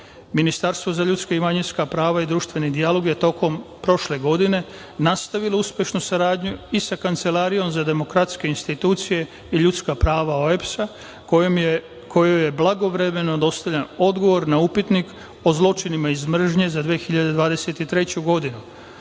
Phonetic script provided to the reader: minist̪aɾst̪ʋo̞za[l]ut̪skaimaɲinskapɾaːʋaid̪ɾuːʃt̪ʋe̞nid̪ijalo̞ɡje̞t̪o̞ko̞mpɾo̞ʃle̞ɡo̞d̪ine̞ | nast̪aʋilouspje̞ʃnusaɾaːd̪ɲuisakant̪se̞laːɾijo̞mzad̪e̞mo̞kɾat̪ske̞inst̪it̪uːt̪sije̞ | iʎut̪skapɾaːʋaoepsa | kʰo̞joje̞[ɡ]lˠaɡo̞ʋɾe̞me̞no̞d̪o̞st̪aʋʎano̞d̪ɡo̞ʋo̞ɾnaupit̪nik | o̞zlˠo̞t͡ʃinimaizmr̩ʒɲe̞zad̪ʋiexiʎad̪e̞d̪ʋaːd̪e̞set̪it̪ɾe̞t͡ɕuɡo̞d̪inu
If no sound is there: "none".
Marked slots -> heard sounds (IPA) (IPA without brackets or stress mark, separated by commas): ʎ, b